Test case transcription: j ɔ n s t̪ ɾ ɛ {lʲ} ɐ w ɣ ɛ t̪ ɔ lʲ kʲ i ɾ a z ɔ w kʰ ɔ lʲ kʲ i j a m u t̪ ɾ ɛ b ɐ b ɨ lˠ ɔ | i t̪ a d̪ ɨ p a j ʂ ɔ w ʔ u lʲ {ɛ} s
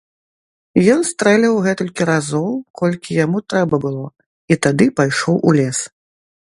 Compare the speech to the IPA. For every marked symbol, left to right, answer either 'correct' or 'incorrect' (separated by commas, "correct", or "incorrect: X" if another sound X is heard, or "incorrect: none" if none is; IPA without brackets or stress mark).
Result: correct, correct